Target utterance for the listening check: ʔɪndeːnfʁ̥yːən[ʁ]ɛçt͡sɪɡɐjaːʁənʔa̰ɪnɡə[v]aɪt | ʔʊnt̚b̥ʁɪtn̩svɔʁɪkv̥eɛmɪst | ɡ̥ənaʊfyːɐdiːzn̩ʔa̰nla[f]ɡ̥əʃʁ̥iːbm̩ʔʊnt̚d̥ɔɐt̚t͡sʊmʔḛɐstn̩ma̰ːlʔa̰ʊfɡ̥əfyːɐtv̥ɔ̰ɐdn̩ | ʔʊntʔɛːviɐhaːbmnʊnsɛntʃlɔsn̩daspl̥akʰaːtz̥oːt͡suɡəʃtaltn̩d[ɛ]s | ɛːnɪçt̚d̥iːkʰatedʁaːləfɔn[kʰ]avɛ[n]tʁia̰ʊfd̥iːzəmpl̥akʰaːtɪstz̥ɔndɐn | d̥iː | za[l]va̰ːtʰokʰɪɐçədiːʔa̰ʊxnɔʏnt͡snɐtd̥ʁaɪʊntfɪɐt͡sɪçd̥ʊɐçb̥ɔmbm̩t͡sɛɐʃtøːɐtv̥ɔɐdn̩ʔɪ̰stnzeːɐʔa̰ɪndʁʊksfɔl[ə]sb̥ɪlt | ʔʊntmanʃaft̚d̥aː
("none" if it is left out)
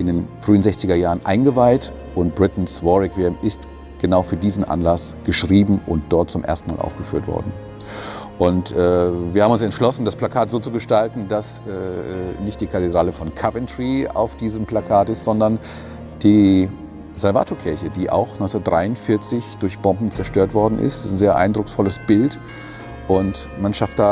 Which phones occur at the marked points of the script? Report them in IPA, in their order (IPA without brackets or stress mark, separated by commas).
z, v, s, a, kʰ, n, l, ə